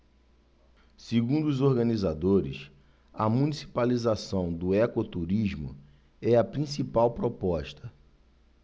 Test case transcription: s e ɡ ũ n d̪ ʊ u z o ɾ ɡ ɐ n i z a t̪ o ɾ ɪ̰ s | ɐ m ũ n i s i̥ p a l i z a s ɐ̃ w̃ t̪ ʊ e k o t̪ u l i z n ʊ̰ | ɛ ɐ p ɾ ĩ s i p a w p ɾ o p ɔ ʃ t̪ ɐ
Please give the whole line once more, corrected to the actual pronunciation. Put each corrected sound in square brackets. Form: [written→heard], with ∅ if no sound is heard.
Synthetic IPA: s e ɡ ũ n d̪ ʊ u z o ɾ ɡ ɐ n i z a [t̪→d̪] o ɾ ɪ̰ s | ɐ m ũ n i s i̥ p a l i z a s ɐ̃ w̃ [t̪→d̪] ʊ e k o t̪ u [l→ɾ] i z [n→m] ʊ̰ | ɛ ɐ p ɾ ĩ s i p a w p ɾ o p ɔ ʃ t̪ ɐ